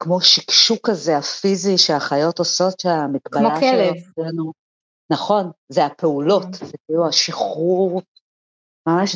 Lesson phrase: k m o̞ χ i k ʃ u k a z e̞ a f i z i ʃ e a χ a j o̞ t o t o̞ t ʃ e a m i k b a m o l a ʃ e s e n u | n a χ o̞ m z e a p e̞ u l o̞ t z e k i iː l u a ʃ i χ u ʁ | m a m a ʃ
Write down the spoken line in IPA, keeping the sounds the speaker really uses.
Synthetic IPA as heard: k m o̞ ʃ i k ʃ u k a z e̞ a f i z i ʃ e a χ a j o̞ t o s o̞ t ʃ e a m i k b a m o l a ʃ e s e n u | n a χ o̞ n z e a p e̞ u l o̞ t z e k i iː l u a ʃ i χ u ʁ | m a m a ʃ